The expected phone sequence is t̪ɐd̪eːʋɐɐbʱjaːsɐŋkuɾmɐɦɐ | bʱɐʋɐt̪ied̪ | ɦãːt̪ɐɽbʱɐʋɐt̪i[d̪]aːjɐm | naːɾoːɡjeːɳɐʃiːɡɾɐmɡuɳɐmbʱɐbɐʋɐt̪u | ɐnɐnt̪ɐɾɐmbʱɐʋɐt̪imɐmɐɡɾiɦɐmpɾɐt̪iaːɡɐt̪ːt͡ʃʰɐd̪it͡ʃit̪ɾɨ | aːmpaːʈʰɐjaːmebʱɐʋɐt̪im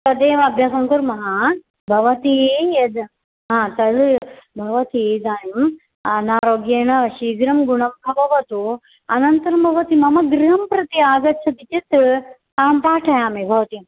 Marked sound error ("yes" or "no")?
no